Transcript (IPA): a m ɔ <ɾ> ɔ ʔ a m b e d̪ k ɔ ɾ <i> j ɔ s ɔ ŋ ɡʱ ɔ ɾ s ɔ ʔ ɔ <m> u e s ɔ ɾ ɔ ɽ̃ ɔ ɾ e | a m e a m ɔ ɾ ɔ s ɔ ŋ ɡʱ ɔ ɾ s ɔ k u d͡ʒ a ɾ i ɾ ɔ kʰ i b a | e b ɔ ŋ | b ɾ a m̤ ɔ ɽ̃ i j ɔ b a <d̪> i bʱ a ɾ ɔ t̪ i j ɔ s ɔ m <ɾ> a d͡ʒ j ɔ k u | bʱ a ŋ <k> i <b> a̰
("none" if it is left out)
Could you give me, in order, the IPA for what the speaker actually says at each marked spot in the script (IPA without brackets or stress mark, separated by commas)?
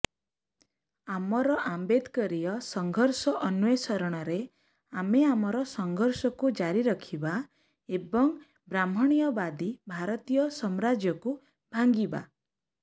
ɾ, i, n, d̪, ɾ, ɡ, b